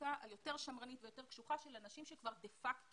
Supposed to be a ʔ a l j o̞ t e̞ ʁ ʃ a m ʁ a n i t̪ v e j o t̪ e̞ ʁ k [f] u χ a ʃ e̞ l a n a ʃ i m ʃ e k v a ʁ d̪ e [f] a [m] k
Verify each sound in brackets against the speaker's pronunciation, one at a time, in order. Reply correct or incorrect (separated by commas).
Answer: incorrect, correct, incorrect